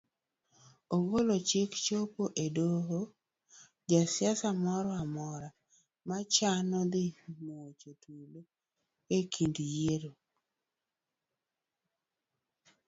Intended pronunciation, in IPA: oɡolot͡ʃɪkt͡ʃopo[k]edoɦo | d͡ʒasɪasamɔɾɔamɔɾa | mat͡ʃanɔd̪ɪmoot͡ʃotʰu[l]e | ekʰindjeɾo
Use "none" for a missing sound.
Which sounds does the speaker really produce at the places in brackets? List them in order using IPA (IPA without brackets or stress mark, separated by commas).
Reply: ʔ, l